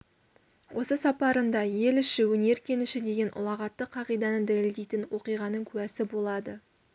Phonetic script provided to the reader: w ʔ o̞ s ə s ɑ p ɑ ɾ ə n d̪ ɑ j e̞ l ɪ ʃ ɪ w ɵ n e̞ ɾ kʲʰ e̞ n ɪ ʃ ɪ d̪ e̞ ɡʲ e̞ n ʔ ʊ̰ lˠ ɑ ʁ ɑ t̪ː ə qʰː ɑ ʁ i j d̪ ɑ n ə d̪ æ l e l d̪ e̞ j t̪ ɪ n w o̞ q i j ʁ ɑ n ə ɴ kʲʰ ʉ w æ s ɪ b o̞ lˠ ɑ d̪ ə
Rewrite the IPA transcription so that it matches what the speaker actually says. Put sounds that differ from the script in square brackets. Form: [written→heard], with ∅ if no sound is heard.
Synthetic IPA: w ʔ o̞ s ə s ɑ p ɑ ɾ ə n d̪ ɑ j e̞ l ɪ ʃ ɪ w ɵ n e̞ ɾ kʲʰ e̞ n ɪ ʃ ɪ d̪ e̞ ɡʲ e̞ n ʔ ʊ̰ lˠ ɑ ʁ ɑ t̪ː ə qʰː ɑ ʁ i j d̪ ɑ n ə d̪ æ l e l d̪ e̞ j t̪ ɪ n w o̞ q i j ʁ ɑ n ə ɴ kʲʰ ʉ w æ s ɪ b o̞ lˠ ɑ d̪ ə